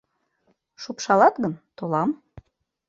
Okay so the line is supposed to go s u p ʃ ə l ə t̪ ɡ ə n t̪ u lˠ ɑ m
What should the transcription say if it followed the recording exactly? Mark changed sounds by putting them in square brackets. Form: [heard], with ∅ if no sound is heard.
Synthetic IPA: [ʃ] u p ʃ [ɑ] l [ɑ] t̪ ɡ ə n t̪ [o] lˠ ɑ m